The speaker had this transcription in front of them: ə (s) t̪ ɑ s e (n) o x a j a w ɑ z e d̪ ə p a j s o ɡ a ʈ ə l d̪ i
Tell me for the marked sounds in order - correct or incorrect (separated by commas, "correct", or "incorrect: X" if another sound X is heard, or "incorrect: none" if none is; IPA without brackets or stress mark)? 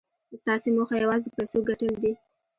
correct, incorrect: m